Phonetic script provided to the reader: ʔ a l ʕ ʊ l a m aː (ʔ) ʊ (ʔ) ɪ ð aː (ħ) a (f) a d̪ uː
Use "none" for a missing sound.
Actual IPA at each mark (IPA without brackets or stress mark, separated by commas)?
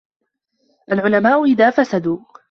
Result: ʔ, ʔ, f, s